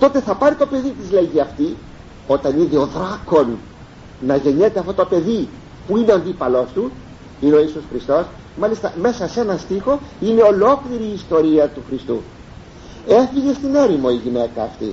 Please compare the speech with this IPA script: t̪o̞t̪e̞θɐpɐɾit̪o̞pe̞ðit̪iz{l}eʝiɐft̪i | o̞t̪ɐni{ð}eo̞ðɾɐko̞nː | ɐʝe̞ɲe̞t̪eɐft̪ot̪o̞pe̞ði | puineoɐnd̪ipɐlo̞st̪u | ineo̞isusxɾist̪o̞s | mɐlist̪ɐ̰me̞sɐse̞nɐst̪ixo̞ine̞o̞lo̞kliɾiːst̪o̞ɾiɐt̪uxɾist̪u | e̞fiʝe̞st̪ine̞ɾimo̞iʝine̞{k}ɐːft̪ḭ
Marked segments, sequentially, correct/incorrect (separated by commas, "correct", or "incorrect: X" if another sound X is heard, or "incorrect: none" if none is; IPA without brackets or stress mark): correct, correct, correct